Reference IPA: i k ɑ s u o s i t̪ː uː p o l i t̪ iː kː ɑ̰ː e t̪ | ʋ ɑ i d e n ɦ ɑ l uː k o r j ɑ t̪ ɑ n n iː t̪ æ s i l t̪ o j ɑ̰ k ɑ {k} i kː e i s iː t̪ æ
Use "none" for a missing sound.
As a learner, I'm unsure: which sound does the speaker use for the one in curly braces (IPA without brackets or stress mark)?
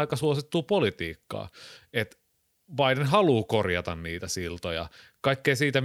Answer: none